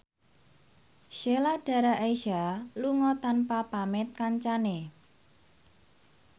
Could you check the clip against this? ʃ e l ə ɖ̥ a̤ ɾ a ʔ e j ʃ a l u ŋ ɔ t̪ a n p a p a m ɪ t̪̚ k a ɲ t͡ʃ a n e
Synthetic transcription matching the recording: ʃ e l a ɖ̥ a̤ ɾ a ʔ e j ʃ a l u ŋ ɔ t̪ a n p a p a m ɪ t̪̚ k a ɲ t͡ʃ a n e